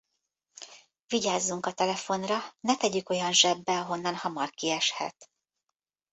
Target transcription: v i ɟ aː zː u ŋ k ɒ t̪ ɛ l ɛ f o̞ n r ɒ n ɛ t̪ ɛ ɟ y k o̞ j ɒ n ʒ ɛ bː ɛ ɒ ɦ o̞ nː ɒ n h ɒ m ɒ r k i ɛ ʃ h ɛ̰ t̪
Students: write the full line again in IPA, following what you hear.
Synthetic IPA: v i ɟ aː zː u ŋ k ɒ t̪ ɛ l ɛ f o̞ n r ɒ n ɛ t̪ ɛ ɟ y k o̞ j ɒ n ʒ ɛ bː ɛ ɒ ɦ o̞ nː ɒ n h ɒ m ɒ r k i ɛ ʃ h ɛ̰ t̪